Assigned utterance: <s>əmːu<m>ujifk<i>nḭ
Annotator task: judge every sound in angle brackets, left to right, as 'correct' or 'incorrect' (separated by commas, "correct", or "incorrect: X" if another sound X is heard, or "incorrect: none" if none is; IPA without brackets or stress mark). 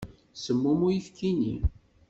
correct, correct, correct